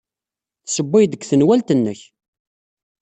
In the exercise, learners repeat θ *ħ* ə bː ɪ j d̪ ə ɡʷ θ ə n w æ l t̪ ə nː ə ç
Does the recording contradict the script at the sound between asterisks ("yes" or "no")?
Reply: yes